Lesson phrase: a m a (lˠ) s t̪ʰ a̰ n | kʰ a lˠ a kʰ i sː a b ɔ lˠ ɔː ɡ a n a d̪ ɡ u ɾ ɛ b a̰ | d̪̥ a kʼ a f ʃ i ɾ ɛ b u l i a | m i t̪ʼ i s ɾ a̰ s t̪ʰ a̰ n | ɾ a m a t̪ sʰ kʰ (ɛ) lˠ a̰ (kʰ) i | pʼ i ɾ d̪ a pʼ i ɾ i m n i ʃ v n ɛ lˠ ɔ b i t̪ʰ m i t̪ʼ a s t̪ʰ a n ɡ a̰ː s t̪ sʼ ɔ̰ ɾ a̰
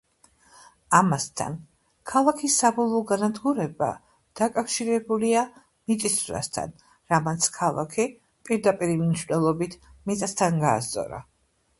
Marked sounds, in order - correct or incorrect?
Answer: incorrect: none, incorrect: a, correct

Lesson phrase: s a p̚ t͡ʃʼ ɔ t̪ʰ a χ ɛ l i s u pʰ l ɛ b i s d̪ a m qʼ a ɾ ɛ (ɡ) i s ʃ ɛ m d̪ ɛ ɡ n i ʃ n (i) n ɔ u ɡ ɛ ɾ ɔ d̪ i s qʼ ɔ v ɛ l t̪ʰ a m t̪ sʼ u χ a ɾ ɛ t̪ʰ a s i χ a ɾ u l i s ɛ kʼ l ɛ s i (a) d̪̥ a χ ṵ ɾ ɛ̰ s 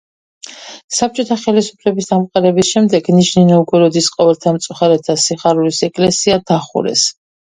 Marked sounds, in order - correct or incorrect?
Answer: incorrect: b, correct, correct

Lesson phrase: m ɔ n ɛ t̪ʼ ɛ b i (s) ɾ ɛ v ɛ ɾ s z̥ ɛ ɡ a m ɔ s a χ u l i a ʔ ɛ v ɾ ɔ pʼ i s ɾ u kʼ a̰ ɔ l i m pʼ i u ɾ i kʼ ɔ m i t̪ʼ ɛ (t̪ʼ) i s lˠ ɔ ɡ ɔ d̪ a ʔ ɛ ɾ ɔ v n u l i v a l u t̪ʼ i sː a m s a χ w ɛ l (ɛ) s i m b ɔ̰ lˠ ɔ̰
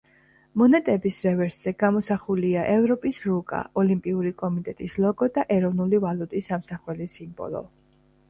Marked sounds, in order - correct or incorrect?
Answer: correct, correct, incorrect: i

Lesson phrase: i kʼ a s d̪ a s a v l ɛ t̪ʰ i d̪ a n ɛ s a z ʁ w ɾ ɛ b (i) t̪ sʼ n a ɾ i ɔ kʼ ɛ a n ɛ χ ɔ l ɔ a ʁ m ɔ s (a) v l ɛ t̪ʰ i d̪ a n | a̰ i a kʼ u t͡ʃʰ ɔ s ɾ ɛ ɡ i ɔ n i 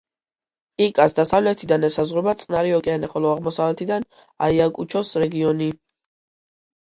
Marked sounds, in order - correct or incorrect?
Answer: incorrect: a, correct

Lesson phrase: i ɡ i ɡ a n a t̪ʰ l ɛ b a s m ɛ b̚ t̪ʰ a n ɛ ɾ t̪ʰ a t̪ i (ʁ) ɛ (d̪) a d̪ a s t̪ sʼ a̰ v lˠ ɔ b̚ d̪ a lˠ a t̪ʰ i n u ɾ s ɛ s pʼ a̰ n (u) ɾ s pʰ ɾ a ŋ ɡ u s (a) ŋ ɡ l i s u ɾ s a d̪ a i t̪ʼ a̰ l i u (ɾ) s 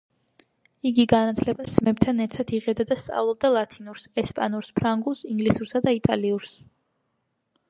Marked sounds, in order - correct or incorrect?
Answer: correct, correct, correct, incorrect: i, correct

